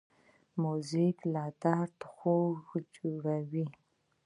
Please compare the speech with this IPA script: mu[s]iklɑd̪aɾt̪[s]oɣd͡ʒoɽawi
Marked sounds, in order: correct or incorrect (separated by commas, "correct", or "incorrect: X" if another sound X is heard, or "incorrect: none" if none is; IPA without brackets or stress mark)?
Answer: incorrect: z, incorrect: x